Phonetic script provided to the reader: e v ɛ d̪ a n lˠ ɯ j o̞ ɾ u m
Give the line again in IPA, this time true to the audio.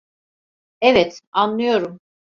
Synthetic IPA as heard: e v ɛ t̪ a n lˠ ɯ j o̞ ɾ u m